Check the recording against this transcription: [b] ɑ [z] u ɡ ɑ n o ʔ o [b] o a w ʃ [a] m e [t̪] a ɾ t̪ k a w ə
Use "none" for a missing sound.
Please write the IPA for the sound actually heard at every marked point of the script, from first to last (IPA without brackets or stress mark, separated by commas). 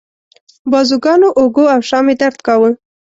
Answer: b, z, ɡ, ɑ, d̪